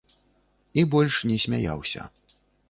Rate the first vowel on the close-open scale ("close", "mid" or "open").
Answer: close